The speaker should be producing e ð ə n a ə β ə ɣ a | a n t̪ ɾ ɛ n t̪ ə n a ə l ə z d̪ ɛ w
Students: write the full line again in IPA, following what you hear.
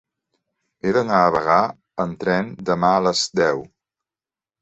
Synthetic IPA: e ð ə n a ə β ə ɣ a | ə n t̪ ɾ ɛ n d̪ ə m a ə l ə z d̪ ɛ w